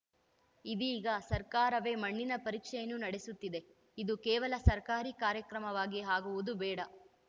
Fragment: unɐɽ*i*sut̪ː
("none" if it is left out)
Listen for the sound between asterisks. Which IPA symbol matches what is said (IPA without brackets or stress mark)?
e